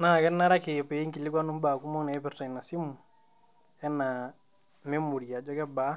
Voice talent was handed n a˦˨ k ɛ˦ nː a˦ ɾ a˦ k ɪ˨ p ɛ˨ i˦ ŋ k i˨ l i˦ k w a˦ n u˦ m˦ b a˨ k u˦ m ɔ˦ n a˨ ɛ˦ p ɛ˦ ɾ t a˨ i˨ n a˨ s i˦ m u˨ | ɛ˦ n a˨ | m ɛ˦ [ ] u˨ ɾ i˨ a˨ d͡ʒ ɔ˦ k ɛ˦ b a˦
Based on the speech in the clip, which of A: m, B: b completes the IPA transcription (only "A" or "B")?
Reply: A